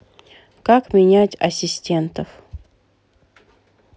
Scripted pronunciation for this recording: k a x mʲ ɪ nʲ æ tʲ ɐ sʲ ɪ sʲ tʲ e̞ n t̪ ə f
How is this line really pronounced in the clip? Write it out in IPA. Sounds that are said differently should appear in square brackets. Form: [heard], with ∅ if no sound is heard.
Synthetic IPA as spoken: k a [k] mʲ ɪ nʲ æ tʲ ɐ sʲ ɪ sʲ tʲ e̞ n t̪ ə f